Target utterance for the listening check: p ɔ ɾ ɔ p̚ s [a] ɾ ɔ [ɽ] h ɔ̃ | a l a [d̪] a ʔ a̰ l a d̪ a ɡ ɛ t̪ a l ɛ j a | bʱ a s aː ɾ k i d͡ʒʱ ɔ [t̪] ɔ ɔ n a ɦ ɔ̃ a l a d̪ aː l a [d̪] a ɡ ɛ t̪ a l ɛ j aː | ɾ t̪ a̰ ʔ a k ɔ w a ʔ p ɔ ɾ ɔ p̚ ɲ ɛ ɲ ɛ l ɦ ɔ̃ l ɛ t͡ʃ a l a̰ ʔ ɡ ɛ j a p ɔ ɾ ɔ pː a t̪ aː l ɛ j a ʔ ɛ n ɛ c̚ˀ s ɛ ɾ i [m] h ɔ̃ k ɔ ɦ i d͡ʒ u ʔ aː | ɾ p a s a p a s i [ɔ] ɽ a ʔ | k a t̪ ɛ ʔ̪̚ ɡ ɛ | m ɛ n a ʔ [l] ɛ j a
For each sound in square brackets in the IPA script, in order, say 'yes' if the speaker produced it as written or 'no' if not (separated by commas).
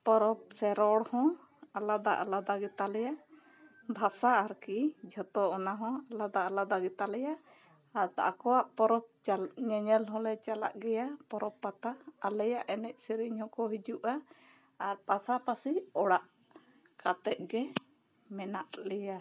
no, yes, yes, yes, yes, no, yes, yes